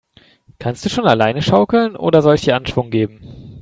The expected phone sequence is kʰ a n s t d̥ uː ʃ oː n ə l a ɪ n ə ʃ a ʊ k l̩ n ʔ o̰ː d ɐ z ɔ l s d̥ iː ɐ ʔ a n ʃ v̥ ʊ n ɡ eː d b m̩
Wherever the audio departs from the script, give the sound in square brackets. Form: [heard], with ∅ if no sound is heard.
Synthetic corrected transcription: kʰ a n s t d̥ uː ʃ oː n [a] l a ɪ n ə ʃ a ʊ k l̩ n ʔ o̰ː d ɐ z ɔ l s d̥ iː ɐ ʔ a n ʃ v̥ ʊ [ŋ] ɡ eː [∅] b m̩